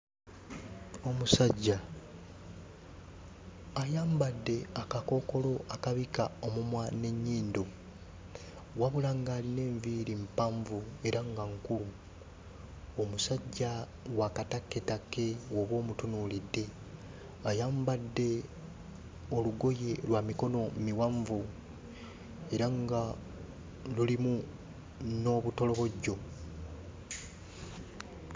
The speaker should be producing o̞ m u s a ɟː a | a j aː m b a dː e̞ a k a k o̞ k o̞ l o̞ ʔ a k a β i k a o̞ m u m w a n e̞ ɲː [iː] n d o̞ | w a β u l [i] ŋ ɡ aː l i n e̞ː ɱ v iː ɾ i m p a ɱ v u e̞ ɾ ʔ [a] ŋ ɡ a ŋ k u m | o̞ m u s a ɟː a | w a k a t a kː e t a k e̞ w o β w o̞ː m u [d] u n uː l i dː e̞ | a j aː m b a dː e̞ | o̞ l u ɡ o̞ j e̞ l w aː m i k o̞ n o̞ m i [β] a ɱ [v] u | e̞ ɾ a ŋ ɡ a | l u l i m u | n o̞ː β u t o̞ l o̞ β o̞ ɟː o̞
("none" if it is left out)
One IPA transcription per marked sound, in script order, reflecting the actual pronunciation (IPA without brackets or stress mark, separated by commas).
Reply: iː, a, a, t, w, v